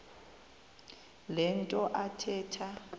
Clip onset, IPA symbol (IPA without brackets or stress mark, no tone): l